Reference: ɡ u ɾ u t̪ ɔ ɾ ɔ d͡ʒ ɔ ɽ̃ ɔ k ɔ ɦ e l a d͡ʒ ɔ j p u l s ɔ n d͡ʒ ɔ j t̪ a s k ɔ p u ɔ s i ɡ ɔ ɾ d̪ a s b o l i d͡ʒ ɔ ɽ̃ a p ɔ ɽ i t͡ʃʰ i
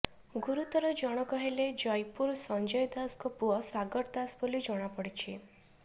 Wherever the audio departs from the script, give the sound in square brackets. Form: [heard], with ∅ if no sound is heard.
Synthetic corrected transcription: ɡ u ɾ u t̪ ɔ ɾ ɔ d͡ʒ ɔ ɽ̃ ɔ k ɔ ɦ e l [e] d͡ʒ ɔ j p u [ɾ] s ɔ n d͡ʒ ɔ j [d̪] a s k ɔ p u ɔ s [a] ɡ ɔ ɾ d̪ a s b o l i d͡ʒ ɔ ɽ̃ a p ɔ ɽ i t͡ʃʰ i